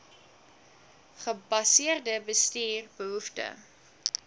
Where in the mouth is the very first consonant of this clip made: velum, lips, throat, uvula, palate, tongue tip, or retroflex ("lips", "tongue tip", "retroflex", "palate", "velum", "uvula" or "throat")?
uvula